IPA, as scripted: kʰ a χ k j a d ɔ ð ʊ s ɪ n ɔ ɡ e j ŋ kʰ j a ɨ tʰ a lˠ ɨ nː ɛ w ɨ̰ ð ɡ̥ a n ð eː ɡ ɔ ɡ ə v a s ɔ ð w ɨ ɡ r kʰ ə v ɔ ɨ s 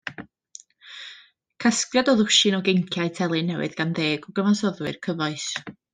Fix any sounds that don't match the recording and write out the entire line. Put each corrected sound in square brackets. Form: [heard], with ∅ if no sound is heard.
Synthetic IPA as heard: kʰ a [s] k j a d ɔ ð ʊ [ʃ] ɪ n ɔ ɡ e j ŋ kʰ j a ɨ tʰ [ɛ] lˠ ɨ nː ɛ w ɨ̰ ð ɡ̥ a n ð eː ɡ ɔ ɡ ə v a s ɔ ð w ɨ [∅] r kʰ ə v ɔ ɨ s